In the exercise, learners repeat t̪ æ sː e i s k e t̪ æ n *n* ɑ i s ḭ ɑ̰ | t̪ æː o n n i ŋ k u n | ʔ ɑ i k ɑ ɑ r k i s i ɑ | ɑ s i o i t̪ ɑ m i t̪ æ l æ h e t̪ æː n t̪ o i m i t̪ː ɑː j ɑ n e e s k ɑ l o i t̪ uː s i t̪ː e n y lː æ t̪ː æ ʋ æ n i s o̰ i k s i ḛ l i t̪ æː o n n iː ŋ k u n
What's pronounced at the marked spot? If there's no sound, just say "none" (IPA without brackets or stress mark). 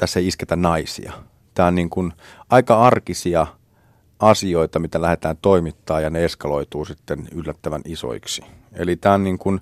n